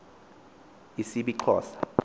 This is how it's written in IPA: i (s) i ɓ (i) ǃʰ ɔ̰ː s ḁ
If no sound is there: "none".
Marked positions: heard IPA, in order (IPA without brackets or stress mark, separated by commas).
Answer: s, i